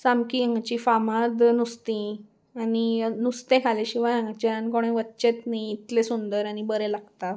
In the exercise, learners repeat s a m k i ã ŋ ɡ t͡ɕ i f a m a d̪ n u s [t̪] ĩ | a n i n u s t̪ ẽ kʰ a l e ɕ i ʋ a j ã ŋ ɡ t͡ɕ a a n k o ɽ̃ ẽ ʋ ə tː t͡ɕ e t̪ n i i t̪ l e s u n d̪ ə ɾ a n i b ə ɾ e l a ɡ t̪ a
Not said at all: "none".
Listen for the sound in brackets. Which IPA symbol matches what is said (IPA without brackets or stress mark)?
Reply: t̪